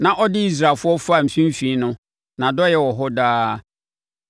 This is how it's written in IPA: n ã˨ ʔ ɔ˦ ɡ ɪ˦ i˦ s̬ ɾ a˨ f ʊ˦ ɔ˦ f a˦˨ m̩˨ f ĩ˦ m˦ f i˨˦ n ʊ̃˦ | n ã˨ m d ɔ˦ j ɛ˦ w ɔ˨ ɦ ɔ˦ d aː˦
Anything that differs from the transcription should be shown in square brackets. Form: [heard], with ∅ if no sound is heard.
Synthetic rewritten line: n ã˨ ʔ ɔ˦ [d] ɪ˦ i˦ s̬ ɾ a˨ f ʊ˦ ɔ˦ f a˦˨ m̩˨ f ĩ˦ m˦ f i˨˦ n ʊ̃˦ | n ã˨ [∅] d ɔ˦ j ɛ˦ w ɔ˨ ɦ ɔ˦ d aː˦